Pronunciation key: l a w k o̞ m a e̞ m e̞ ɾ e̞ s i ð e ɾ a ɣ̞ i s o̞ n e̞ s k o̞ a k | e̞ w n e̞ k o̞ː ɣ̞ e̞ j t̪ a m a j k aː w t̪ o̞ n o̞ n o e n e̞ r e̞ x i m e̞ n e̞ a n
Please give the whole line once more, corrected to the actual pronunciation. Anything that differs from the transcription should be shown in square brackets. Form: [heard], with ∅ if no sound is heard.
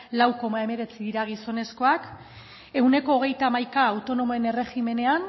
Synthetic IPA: l a w k o̞ m a e̞ m e̞ ɾ e̞ [t͡s] i ð [i] ɾ a ɣ̞ i s o̞ n e̞ s k o̞ a k | e̞ w n e̞ k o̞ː ɣ̞ e̞ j t̪ a m a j k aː w t̪ o̞ n o̞ [m] o e n e̞ r e̞ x i m e̞ n e̞ a n

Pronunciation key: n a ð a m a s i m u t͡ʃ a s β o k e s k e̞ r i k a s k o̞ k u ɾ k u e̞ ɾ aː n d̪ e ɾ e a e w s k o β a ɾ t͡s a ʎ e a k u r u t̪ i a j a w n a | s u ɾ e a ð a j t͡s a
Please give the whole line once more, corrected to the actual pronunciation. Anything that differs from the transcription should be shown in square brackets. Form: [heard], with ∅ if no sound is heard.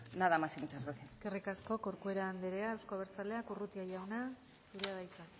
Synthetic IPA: n a ð a m a s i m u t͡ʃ a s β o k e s k e̞ r i k a s k o̞ k [o] ɾ k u e̞ ɾ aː n d̪ e ɾ e a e w s k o β [e] ɾ t͡s a [l] e a k u r u t̪ i a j a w n a | s u ɾ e a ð a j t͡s a

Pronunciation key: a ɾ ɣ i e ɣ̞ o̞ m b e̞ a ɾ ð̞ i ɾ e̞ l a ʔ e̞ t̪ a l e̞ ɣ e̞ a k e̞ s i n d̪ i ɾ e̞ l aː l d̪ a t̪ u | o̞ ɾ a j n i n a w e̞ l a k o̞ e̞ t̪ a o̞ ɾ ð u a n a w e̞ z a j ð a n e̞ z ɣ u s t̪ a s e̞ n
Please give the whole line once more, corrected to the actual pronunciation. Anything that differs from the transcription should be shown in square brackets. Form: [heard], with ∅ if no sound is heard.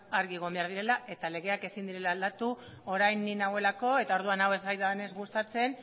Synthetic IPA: a ɾ ɣ i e ɣ̞ o̞ m b e̞ a ɾ ð̞ i ɾ e̞ l a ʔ e̞ t̪ a l e̞ ɣ e̞ a k e̞ s i n d̪ i ɾ e̞ l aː l d̪ a t̪ u | o̞ ɾ a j n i n a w e̞ l a k o̞ e̞ t̪ a o̞ ɾ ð u a n a w e̞ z a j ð a n e̞ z ɣ u s t̪ a [t͡s] e̞ n

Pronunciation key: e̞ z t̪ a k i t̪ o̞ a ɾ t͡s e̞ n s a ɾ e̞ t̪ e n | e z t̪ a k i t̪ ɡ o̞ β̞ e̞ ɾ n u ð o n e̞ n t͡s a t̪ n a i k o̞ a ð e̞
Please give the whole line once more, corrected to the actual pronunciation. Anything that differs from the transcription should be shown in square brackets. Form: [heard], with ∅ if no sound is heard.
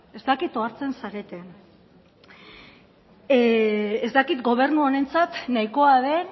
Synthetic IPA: e̞ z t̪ a k i t̪ o̞ a ɾ t͡s e̞ n s a ɾ e̞ t̪ e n | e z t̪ a k i t̪ ɡ o̞ β̞ e̞ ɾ n u [∅] o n e̞ n t͡s a t̪ n a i k o̞ a ð e̞

